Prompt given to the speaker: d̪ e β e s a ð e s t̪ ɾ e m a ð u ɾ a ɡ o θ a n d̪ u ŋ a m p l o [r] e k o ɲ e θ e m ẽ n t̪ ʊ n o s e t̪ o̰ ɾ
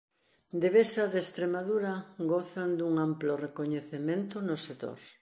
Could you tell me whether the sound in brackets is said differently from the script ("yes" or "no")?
no